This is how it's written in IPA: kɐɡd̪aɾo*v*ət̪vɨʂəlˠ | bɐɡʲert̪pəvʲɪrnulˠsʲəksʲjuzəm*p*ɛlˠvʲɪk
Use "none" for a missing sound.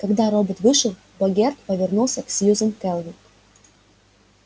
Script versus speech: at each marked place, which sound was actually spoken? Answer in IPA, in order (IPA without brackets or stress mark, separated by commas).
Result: b, k